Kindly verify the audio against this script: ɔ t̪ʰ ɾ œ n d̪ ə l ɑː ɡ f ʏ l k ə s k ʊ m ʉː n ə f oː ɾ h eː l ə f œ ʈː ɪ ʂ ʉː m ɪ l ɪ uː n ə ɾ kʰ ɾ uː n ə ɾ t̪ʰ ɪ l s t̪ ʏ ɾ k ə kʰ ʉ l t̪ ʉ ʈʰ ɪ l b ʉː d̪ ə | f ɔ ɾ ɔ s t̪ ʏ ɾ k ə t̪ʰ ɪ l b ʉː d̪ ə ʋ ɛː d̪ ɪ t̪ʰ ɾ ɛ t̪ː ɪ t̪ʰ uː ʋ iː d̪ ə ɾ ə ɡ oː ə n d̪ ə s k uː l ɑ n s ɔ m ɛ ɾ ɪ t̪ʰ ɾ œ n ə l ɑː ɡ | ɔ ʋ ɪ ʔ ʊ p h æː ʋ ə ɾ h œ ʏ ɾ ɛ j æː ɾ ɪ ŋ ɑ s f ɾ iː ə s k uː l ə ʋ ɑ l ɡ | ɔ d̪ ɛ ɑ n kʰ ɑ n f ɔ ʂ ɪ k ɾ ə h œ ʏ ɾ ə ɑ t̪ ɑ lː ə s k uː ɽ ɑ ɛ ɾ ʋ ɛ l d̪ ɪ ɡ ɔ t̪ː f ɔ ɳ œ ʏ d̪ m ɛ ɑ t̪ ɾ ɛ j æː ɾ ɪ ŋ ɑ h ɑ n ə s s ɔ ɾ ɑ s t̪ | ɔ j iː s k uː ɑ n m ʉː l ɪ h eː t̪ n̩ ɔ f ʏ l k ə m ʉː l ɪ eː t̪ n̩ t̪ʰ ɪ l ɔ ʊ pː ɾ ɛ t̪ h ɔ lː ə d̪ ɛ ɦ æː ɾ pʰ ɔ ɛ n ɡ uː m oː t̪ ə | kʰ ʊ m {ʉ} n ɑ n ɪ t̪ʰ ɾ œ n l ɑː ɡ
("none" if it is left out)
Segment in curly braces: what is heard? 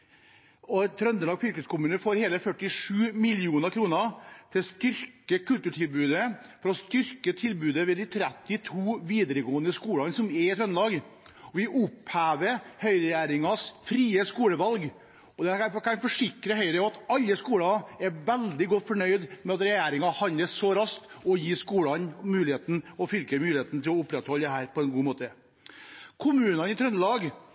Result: ʉː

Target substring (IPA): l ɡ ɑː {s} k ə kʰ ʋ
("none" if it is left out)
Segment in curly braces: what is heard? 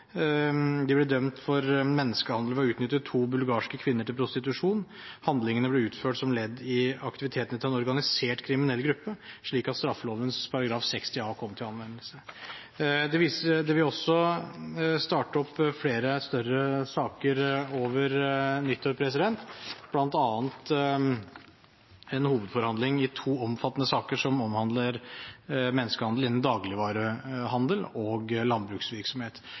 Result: ʂ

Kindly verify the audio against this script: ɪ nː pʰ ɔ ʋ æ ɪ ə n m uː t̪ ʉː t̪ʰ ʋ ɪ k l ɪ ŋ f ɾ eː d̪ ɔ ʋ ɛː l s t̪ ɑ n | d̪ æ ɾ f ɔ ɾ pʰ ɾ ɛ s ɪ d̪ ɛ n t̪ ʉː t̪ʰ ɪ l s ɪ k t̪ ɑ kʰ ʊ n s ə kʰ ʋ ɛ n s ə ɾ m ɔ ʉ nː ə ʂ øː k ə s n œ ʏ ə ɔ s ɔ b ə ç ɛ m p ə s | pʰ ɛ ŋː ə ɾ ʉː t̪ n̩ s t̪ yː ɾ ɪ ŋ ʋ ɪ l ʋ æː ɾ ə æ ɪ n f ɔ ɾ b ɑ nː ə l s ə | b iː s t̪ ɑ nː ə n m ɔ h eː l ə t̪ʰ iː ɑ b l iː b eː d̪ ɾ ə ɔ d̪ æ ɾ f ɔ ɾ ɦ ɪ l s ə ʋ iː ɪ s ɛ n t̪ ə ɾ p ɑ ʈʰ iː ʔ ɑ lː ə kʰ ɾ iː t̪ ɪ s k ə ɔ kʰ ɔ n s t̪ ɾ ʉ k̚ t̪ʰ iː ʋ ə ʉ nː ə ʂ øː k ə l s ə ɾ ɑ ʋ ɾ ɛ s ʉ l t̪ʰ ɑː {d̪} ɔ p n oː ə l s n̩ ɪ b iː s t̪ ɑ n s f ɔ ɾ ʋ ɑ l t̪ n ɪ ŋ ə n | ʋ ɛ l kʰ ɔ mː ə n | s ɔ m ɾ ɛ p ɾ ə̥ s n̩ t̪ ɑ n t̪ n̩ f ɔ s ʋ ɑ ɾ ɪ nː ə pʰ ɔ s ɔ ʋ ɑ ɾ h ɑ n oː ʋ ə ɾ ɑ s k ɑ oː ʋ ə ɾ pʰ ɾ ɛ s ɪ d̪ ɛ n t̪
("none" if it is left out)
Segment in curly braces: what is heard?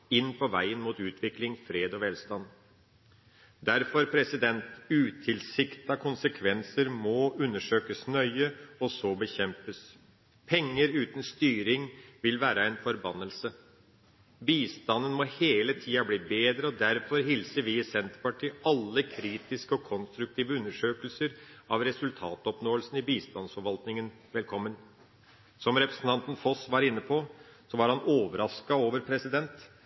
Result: t̪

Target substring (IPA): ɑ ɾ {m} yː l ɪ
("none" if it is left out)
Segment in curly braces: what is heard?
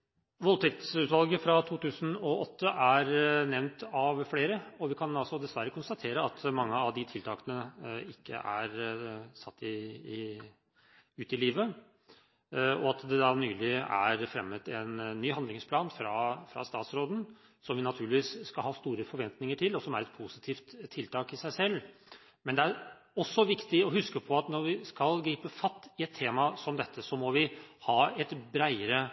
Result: n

